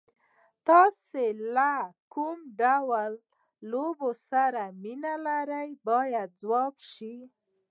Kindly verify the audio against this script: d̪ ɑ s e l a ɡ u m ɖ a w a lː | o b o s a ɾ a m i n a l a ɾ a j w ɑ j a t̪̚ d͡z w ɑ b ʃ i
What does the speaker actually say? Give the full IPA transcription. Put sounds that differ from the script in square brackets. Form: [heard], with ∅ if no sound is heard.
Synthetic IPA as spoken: [t̪] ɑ s e l a [k] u m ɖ a w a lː | o b o s a ɾ a m i n a l a ɾ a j [b] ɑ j a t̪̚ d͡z w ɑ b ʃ i